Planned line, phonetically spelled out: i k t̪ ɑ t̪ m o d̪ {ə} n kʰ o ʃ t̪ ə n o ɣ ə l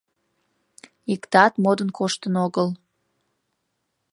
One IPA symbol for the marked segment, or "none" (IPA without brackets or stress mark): ə